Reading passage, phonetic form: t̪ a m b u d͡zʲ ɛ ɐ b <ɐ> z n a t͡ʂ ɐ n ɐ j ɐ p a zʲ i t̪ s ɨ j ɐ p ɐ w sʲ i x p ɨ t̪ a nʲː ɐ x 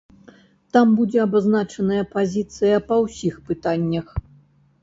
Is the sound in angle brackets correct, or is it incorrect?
incorrect